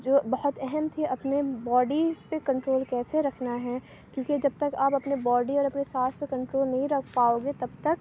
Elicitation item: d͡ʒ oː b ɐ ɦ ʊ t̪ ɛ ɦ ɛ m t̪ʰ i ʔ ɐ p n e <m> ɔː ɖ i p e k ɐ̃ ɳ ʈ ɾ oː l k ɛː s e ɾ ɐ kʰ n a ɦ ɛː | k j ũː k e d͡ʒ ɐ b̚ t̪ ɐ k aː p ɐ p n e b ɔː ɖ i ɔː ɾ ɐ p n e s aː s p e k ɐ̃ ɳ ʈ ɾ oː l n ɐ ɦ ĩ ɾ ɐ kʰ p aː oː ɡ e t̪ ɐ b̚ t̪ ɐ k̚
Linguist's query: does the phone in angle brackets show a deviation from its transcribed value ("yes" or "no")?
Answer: yes